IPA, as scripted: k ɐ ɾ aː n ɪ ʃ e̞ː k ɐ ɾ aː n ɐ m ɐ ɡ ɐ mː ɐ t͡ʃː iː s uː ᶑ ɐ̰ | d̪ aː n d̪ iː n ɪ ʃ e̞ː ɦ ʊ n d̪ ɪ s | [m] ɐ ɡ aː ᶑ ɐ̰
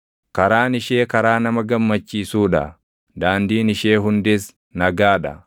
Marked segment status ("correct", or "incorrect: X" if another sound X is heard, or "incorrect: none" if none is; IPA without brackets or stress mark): incorrect: n